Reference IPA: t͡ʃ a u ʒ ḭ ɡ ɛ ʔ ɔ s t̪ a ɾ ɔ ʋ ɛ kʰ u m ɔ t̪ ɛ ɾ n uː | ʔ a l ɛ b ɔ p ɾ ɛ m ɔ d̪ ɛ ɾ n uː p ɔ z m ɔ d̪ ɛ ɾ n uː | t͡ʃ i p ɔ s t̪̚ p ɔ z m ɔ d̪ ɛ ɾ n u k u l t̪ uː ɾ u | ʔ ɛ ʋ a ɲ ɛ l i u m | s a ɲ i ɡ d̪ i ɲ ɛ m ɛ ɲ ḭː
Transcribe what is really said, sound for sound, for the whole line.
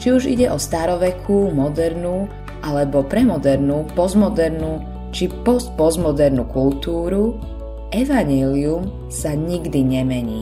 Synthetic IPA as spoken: t͡ʃ i u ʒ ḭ ɟ ɛ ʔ ɔ s t̪ a ɾ ɔ ʋ ɛ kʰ u m ɔ d̪ ɛ ɾ n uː | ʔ a l ɛ b ɔ p ɾ ɛ m ɔ d̪ ɛ ɾ n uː p ɔ z m ɔ d̪ ɛ ɾ n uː | t͡ʃ i p ɔ s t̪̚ p ɔ z m ɔ d̪ ɛ ɾ n u k u l t̪ uː ɾ u | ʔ ɛ ʋ a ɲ ɛ l i u m | s a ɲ i ɡ d̪ i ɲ ɛ m ɛ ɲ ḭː